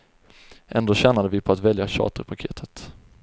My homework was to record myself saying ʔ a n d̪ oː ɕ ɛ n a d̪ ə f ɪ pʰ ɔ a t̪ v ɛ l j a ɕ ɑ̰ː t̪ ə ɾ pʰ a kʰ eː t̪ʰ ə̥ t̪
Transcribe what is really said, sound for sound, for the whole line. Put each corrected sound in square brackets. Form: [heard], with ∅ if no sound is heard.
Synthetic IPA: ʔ [ɛ] n d̪ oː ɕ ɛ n a d̪ ə [v] ɪ pʰ ɔ a t̪ v ɛ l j a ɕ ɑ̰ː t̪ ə ɾ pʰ a kʰ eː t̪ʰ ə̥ t̪